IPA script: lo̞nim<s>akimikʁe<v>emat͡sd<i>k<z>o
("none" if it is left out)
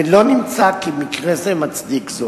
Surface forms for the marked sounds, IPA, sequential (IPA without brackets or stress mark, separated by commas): t͡s, z, i, z